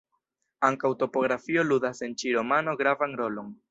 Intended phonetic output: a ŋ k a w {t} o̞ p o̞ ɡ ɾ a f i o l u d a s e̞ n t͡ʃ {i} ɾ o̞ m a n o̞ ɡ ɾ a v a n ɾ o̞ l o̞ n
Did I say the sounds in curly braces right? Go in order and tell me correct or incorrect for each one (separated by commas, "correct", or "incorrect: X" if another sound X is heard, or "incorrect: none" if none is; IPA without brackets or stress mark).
correct, correct